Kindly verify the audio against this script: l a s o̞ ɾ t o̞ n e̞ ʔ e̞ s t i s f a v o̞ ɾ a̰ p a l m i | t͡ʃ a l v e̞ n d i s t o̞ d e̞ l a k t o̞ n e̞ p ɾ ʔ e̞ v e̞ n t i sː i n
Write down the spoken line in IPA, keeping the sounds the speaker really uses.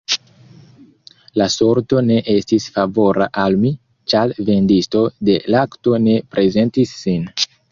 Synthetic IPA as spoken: l a s o̞ ɾ t o̞ n e̞ ʔ e̞ s t i s f a v o̞ ɾ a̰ ʔ a l m i | t͡ʃ a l v e̞ n d i s t o̞ d e̞ l a k t o̞ n e̞ p ɾ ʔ e̞ z e̞ n t i sː i n